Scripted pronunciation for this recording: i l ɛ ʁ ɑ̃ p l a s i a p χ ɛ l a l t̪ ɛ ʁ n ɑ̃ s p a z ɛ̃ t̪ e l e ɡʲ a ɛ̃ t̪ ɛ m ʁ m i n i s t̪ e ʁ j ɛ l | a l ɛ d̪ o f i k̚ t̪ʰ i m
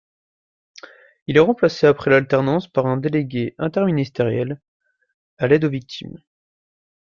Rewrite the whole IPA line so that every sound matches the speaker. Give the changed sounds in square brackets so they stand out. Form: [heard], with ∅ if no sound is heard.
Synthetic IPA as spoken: i l ɛ ʁ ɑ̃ p l a s [e] a p χ ɛ l a l t̪ ɛ ʁ n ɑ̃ s p a [ʁ] ɛ̃ [d̪] e l e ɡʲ [e] ɛ̃ t̪ ɛ [∅] ʁ m i n i s t̪ e ʁ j ɛ l | a l ɛ d̪ o [v] i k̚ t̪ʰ i m